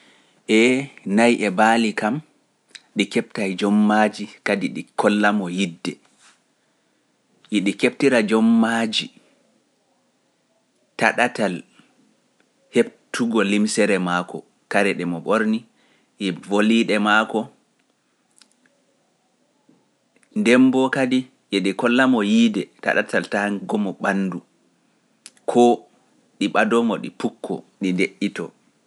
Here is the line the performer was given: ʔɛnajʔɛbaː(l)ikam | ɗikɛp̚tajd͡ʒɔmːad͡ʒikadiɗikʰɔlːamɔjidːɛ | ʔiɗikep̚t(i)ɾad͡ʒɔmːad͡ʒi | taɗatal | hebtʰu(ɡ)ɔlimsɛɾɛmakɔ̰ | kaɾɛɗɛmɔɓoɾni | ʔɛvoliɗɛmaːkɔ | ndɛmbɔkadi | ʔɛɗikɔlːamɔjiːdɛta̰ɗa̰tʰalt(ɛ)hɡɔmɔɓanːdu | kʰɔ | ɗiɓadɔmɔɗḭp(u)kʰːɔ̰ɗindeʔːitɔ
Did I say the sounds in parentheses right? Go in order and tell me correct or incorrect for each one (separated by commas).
correct, correct, correct, incorrect, correct